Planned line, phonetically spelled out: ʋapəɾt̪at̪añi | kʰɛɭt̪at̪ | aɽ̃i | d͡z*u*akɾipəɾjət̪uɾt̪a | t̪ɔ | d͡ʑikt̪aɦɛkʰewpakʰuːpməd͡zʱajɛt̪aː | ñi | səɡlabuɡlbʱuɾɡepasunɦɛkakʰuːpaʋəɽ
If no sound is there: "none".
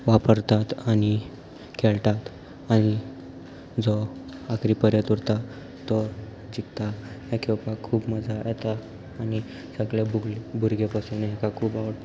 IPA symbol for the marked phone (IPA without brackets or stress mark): ɔ